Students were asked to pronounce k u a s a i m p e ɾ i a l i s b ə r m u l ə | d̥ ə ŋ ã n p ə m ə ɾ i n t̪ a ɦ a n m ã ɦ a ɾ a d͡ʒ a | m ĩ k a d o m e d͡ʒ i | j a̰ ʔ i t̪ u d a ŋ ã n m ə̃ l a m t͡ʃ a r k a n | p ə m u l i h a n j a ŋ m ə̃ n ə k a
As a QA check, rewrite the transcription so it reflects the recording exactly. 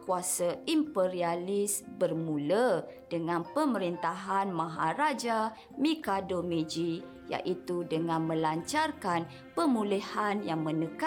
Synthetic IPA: k u a s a i m p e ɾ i a l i s b ə r m u l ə | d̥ ə ŋ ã n p ə m ə ɾ i n t̪ a ɦ a n m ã ɦ a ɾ a d͡ʒ a | m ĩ k a d o m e d͡ʒ i | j a̰ ʔ i t̪ u d ə ŋ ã n m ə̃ l a ɲ t͡ʃ a r k a n | p ə m u l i h a n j a ŋ m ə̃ n ə k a